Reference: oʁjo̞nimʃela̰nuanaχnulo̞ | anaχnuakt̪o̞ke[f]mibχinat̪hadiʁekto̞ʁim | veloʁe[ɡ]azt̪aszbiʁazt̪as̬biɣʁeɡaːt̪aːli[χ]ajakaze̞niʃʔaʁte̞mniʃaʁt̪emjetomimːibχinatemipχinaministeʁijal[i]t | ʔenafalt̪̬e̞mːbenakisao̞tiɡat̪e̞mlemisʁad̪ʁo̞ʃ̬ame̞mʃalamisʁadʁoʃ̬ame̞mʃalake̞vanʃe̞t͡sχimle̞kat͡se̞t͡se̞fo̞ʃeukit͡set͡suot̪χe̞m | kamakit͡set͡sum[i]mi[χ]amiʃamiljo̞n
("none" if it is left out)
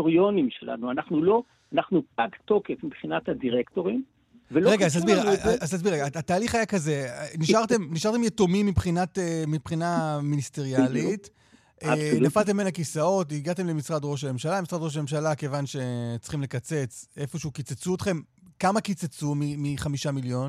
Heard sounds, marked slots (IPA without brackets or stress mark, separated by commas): f, ɡ, χ, i, i, χ